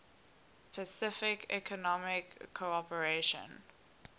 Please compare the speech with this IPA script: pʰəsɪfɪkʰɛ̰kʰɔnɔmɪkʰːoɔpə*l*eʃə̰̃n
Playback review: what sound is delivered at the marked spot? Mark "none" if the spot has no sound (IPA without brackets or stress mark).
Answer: ɹ